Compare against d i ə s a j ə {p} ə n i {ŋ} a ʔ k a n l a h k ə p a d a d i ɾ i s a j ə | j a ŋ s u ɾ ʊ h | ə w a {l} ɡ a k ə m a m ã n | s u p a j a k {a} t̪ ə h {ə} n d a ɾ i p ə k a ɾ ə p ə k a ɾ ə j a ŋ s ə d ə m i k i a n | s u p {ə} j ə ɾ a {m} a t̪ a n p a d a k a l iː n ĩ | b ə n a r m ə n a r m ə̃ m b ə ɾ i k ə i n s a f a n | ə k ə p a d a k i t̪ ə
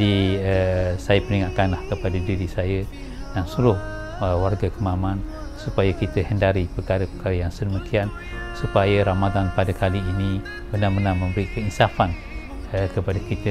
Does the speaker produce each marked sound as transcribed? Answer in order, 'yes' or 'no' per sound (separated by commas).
yes, yes, no, no, yes, no, yes